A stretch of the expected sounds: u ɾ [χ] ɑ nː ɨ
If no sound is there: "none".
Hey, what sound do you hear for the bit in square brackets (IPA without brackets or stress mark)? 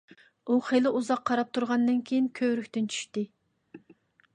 ʁ